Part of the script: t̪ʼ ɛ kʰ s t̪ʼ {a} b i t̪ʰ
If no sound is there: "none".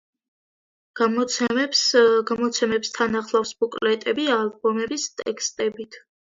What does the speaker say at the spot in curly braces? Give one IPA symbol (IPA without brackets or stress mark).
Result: ɛ